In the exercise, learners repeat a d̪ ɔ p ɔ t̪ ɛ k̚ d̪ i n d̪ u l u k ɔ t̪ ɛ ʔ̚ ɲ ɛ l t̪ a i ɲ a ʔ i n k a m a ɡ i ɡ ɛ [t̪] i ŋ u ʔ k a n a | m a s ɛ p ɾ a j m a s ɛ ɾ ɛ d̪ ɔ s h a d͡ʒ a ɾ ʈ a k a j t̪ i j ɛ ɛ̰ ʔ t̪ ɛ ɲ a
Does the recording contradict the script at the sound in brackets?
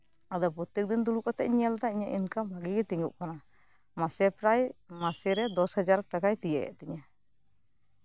no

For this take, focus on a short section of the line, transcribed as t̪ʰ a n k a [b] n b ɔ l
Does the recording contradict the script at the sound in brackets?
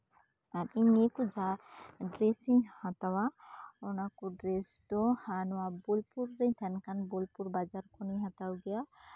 yes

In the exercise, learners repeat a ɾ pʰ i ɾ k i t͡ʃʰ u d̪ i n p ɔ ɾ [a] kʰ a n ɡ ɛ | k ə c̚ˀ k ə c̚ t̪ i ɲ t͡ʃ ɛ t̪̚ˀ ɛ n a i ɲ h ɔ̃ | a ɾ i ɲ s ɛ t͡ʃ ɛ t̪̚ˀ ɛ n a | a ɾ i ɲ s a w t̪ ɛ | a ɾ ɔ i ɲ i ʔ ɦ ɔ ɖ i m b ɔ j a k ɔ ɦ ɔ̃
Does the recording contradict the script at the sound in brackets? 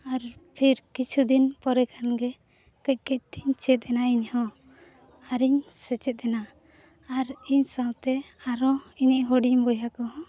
yes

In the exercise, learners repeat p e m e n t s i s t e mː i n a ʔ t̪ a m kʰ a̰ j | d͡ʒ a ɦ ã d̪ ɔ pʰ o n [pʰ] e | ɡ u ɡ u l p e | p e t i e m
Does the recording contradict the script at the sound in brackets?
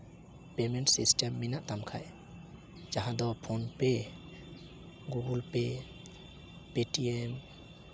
yes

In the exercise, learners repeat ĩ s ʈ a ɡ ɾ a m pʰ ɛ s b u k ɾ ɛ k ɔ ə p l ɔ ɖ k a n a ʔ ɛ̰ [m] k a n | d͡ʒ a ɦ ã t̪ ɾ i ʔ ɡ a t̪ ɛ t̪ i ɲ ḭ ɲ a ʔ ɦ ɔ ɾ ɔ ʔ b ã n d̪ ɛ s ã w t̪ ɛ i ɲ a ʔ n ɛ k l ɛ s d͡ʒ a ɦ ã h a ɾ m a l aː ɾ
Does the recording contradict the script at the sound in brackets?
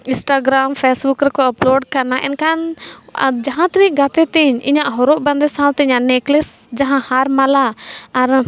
yes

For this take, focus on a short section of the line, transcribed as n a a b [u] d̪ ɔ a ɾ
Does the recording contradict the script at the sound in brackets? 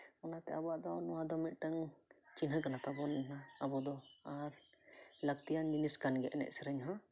yes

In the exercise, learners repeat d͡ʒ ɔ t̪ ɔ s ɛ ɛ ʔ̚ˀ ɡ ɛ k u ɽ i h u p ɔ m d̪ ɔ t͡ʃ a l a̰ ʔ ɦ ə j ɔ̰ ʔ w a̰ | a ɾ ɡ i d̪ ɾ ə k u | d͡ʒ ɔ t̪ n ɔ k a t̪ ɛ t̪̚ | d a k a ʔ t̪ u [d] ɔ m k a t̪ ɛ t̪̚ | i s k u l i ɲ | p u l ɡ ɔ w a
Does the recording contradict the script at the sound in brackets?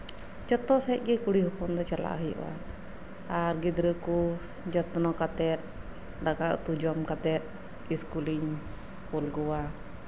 yes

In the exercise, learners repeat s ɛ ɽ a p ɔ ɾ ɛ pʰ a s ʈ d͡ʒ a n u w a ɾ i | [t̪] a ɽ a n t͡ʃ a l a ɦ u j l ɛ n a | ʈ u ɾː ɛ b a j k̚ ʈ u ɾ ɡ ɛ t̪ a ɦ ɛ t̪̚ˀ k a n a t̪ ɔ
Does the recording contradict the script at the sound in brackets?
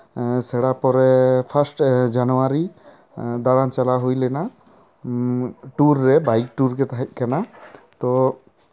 yes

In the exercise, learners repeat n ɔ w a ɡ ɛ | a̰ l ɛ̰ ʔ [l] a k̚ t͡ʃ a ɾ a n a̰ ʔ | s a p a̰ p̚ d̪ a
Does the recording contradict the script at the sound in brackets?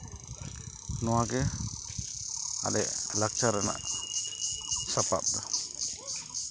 no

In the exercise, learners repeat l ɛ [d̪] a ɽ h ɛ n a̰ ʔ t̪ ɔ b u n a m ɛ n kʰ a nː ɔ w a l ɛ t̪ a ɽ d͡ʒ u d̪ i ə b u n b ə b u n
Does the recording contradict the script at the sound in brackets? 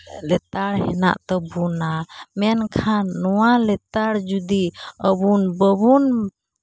yes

